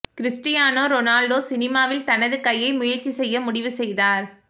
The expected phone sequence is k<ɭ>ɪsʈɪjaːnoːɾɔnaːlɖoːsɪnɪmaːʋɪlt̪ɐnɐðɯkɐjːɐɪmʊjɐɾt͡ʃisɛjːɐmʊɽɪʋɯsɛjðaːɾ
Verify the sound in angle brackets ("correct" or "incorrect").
incorrect